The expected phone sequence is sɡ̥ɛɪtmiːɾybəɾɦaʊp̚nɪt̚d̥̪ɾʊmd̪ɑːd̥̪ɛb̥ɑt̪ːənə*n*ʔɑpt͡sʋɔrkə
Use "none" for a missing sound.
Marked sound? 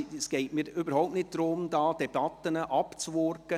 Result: none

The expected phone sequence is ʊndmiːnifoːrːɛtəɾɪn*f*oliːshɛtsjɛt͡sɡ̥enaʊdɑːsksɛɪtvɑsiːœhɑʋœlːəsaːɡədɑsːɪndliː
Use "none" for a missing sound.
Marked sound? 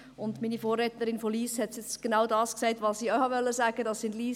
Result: f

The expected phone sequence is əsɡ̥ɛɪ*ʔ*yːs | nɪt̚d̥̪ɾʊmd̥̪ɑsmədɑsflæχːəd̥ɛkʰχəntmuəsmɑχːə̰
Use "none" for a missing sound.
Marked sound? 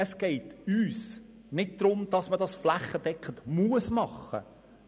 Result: t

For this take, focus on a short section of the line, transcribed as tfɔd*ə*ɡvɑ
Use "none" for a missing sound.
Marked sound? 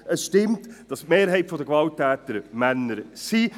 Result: ə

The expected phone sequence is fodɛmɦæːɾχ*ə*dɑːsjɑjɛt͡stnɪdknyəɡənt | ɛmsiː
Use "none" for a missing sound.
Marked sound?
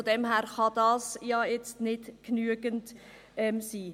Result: ɑ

